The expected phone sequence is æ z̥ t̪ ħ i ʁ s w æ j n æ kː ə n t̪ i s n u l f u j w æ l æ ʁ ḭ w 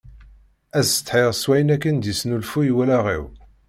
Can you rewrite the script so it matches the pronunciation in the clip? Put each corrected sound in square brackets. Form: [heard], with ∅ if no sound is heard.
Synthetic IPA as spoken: æ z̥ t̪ ħ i ʁ s w æ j n æ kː ə n [d̪] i s n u l f u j w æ l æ ʁ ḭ w